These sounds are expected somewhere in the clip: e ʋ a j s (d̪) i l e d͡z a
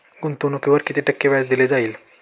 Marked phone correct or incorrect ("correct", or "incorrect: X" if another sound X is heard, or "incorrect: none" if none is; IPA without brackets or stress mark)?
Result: correct